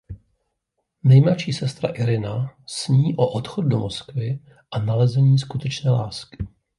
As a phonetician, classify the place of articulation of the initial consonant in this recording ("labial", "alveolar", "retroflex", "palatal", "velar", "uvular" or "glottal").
alveolar